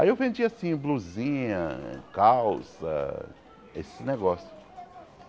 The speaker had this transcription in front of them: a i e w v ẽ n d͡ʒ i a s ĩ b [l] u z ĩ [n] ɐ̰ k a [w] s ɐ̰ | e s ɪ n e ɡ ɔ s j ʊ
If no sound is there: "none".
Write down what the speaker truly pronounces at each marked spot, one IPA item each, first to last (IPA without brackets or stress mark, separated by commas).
l, ɲ, w